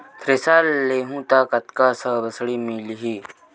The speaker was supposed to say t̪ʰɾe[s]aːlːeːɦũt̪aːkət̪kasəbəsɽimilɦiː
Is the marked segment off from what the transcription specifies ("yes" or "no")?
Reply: no